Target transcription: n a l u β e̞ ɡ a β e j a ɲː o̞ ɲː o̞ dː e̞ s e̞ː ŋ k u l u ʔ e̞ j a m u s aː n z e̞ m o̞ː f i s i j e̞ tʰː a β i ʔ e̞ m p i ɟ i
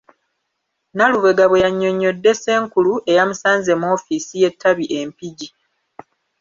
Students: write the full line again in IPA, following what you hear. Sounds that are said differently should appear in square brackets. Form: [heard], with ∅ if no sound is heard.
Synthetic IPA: n a l u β e̞ ɡ a β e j a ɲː o̞ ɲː o̞ dː e̞ s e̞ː ŋ k u l u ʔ e̞ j a m u s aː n z e̞ m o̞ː f i s i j e̞ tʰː a β i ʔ e̞ m p i ɟ i